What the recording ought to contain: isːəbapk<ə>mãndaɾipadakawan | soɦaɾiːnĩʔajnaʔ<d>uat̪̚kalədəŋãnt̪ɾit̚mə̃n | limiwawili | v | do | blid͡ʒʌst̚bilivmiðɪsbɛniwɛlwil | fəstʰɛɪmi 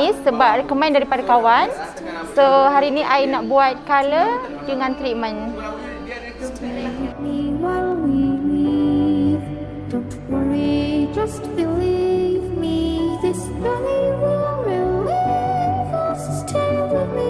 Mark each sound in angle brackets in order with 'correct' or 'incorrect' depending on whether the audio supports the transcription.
correct, incorrect

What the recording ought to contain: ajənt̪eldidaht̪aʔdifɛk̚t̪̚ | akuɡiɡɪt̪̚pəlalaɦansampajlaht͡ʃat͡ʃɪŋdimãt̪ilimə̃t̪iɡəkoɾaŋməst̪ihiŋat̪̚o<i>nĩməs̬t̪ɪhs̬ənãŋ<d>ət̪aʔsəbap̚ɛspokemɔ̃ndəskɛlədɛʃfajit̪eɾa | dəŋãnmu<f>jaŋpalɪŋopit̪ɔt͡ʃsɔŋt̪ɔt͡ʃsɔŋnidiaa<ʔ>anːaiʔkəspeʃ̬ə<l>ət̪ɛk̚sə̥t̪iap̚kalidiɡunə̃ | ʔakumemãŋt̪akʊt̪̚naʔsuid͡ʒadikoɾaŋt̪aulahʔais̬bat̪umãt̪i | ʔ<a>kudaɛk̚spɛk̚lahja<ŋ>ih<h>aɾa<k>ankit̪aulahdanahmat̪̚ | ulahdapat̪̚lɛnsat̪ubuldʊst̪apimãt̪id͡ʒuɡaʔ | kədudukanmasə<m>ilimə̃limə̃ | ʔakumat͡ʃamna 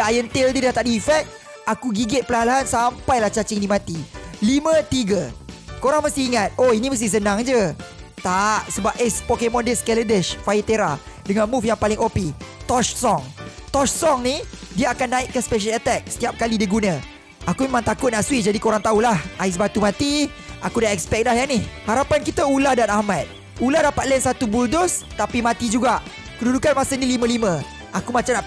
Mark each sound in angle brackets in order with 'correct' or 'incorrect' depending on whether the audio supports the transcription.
correct, incorrect, correct, incorrect, correct, correct, incorrect, correct, incorrect, incorrect

